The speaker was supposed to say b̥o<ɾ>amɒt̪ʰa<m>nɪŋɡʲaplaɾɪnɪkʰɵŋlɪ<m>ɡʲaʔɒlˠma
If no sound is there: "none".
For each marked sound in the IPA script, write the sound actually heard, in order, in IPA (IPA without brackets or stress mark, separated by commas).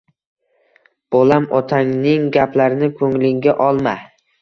l, ŋ, ŋ